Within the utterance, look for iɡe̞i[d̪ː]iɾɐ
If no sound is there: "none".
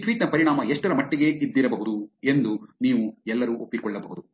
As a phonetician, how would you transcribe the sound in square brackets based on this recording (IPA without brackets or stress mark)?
d̪ː